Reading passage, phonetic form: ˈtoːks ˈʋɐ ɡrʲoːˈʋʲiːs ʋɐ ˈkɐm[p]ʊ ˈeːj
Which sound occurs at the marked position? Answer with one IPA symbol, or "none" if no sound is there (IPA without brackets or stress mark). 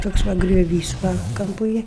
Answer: p